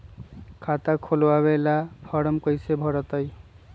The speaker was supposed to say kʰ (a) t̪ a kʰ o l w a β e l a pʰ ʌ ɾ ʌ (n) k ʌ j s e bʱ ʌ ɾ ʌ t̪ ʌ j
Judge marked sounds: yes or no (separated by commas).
yes, no